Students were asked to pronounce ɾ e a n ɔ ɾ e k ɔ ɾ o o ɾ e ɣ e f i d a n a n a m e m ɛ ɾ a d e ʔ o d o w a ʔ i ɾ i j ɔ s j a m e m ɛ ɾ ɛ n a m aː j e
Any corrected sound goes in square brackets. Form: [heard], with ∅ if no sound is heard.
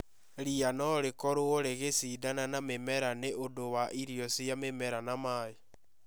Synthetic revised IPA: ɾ [i] a n ɔ ɾ e k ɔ ɾ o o ɾ e ɣ e [s] i d a n a n a m e m ɛ ɾ a [n] e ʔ o d o w a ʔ i ɾ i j ɔ s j a m e m ɛ ɾ [a] n a m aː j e